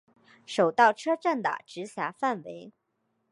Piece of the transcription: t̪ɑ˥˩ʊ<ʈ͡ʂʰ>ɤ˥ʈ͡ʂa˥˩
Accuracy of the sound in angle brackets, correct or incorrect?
correct